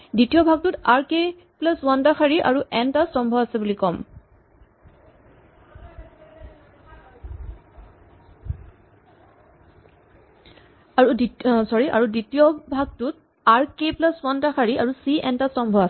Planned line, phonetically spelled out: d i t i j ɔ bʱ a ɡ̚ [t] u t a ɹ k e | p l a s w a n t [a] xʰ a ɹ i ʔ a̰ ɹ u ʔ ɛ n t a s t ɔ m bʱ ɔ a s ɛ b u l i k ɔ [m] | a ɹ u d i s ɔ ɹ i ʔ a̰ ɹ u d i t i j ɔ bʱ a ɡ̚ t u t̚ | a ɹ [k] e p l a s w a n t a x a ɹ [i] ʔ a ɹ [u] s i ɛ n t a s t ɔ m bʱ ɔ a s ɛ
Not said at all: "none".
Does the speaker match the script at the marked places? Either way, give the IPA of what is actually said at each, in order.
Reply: t, a, m, k, i, u

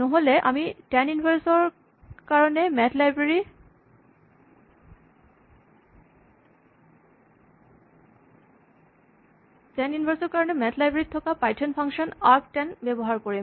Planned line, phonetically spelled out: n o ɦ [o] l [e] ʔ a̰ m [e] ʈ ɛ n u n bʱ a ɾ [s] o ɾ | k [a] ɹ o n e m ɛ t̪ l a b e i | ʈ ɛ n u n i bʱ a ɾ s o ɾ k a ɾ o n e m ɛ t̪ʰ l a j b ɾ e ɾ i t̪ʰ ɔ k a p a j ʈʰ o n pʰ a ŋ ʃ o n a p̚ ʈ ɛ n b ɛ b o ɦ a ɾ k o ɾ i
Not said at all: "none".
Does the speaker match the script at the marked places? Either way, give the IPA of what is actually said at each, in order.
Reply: o, e, i, s, a

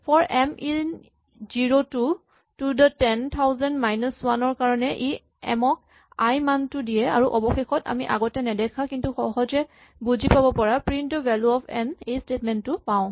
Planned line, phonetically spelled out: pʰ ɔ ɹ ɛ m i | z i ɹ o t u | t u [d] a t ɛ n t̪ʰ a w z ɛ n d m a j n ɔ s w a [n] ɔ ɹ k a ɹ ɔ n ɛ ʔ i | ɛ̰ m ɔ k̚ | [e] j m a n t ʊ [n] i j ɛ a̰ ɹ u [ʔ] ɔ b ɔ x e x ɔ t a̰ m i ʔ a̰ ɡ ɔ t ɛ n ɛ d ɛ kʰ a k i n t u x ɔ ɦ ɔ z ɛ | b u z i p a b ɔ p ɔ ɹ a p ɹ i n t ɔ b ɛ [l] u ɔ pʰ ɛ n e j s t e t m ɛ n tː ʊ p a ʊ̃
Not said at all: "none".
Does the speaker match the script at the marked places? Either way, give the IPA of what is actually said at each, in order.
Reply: d, n, a, d, ʔ, l

